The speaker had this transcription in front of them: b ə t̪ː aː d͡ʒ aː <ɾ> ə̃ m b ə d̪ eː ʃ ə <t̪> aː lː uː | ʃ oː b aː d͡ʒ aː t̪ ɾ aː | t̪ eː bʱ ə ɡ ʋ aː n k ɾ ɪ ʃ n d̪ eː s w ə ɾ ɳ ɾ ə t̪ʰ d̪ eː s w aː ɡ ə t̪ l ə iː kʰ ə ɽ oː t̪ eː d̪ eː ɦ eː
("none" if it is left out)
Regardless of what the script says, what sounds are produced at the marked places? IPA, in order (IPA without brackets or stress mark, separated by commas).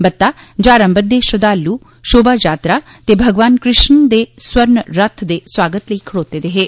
ɾ, d̪